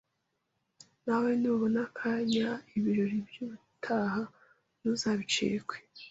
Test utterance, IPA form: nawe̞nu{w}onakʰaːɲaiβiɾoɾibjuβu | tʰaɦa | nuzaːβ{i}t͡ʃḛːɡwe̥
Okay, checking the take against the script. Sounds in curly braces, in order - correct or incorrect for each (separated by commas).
incorrect, correct